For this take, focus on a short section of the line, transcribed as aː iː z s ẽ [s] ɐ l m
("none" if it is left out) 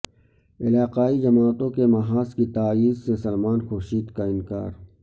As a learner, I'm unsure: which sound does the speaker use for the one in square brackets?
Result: s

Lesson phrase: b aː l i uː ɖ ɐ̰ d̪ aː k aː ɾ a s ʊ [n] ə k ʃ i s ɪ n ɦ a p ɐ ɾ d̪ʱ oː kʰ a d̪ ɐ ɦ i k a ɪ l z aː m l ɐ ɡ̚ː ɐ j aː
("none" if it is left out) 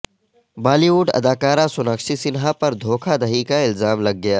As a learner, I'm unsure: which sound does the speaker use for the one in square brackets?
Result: n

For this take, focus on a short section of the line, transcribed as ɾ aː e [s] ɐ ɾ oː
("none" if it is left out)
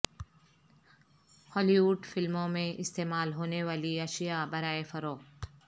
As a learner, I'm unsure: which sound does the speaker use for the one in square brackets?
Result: f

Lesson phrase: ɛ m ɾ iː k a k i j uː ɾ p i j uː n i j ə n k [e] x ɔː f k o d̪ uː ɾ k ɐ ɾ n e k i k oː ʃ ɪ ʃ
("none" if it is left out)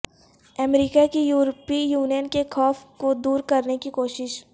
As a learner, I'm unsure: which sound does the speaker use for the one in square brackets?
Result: e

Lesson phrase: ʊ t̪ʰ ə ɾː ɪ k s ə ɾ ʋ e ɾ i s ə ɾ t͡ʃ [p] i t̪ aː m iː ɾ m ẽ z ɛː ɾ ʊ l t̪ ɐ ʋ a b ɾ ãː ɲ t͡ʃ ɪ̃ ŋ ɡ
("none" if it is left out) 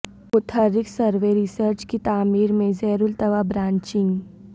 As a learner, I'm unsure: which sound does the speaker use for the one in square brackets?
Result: k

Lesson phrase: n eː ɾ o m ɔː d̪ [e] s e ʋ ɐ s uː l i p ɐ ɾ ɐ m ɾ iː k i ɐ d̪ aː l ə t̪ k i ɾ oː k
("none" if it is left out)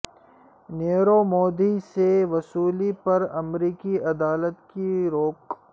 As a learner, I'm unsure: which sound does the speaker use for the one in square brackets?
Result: i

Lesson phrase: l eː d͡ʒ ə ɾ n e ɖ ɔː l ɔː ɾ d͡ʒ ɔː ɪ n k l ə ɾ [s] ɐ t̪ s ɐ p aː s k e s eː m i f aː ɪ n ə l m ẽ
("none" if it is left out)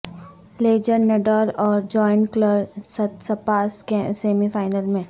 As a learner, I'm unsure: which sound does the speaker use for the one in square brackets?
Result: s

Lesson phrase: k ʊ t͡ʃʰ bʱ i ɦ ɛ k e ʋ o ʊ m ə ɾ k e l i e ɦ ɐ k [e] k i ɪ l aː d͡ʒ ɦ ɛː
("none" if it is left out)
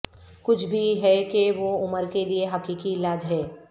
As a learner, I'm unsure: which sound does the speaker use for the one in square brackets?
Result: i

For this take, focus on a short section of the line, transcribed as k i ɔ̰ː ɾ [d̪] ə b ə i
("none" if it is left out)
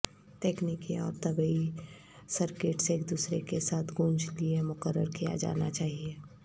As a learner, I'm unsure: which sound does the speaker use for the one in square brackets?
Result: t̪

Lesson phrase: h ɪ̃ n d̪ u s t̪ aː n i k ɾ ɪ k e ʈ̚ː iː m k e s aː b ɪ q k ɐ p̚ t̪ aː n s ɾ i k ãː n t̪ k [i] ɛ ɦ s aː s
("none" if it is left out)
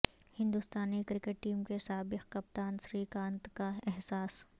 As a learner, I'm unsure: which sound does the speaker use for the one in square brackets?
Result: a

